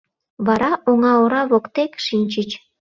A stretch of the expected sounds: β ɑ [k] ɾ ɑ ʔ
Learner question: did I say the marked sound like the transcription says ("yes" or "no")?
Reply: no